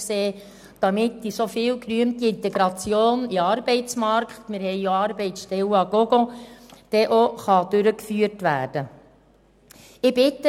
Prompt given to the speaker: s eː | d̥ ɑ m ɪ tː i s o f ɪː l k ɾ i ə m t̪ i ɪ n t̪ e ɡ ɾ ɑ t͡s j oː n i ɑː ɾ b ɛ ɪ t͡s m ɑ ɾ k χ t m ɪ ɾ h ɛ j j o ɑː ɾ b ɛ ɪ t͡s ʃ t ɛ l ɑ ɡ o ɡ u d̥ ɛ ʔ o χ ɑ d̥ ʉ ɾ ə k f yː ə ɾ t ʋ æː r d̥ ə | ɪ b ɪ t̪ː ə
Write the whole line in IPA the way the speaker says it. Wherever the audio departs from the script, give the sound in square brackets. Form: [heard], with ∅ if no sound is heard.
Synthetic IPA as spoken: s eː | d̥ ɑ m ɪ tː i s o f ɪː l k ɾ [y] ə m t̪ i ɪ n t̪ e ɡ ɾ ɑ t͡s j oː n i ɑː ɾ b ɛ ɪ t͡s m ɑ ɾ k χ t m ɪ ɾ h ɛ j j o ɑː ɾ b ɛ ɪ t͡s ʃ t ɛ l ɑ ɡ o ɡ [o] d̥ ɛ ʔ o χ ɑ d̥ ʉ ɾ ə k f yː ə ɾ t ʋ æː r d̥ ə | ɪ b ɪ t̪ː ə